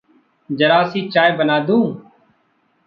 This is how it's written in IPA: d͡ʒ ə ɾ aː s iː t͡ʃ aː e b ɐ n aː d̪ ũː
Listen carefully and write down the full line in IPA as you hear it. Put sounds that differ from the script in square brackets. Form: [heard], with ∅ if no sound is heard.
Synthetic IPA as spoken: d͡ʒ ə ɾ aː s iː t͡ʃ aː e b [ə] n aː d̪ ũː